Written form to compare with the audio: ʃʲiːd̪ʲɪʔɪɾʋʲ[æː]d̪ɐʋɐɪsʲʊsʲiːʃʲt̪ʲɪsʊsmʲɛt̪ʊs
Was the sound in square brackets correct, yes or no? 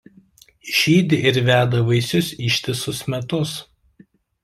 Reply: yes